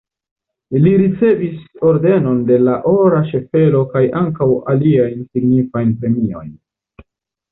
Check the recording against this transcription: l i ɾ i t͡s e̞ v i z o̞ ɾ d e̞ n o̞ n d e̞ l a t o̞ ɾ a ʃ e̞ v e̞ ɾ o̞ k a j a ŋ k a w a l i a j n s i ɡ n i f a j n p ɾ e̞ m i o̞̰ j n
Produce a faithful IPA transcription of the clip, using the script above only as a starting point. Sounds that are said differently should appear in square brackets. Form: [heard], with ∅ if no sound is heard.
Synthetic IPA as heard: l i ɾ i t͡s e̞ v i [s] o̞ ɾ d e̞ n o̞ n d e̞ l a [ʔ] o̞ ɾ a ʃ e̞ [f] e̞ [l] o̞ k a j a ŋ k a w a l i a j n s i ɡ n i f a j n p ɾ e̞ m i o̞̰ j n